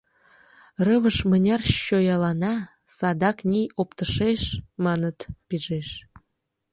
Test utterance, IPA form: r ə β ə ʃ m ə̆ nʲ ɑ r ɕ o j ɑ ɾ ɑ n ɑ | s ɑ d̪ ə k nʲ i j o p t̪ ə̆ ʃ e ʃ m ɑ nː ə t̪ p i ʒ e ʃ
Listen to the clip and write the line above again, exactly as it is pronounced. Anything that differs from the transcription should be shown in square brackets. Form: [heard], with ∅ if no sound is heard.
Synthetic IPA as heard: r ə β ə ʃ m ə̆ nʲ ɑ r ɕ o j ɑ [l] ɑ n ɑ | s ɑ d̪ [ɑ] k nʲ i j o p t̪ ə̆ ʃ e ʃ m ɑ [n] ə t̪ p i ʒ e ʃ